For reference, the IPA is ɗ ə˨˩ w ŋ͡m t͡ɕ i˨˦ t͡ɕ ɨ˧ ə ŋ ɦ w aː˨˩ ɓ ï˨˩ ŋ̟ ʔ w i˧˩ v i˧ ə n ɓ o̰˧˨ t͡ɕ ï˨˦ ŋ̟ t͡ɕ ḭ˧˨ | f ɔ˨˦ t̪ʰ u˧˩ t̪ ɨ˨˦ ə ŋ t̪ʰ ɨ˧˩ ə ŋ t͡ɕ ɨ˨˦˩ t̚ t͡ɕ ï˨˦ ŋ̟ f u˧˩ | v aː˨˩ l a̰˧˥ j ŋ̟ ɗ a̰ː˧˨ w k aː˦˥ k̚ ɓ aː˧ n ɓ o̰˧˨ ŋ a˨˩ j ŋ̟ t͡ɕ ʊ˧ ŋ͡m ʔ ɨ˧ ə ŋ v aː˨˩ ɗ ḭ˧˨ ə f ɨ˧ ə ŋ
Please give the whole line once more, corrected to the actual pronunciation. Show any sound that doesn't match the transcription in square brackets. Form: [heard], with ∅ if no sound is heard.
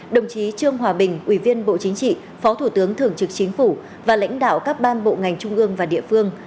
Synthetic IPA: ɗ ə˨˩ w ŋ͡m t͡ɕ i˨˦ t͡ɕ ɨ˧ ə ŋ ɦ w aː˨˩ ɓ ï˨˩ ŋ̟ ʔ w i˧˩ v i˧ ə n ɓ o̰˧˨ t͡ɕ ï˨˦ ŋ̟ t͡ɕ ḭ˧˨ | f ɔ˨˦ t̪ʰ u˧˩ t̪ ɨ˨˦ ə ŋ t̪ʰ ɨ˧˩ ə ŋ t͡ɕ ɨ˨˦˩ [k̚] t͡ɕ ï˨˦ ŋ̟ f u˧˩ | v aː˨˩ l a̰˧˥ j ŋ̟ ɗ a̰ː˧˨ w k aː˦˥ k̚ ɓ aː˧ n ɓ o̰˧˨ ŋ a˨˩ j ŋ̟ t͡ɕ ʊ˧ ŋ͡m ʔ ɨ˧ ə ŋ v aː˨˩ ɗ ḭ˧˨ ə f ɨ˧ ə ŋ